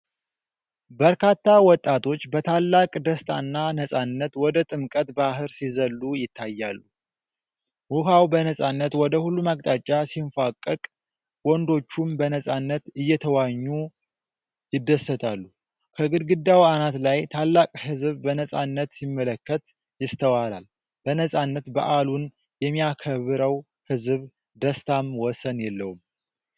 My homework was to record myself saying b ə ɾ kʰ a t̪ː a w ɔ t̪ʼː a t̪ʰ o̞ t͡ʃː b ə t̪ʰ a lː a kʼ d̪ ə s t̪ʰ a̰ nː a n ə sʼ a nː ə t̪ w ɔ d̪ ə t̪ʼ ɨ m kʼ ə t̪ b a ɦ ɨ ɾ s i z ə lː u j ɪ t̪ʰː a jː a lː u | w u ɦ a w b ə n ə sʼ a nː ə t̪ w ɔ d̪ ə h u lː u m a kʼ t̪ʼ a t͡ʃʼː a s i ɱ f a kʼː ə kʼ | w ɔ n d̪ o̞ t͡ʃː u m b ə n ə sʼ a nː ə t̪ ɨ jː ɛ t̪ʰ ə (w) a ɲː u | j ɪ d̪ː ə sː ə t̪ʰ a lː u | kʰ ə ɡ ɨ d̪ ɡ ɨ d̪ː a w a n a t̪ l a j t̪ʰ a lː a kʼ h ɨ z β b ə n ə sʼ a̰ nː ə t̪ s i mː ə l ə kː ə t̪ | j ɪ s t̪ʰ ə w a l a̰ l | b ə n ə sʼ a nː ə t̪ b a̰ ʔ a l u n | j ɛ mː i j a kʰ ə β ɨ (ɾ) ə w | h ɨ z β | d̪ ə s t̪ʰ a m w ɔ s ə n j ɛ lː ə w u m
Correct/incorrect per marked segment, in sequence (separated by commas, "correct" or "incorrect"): correct, correct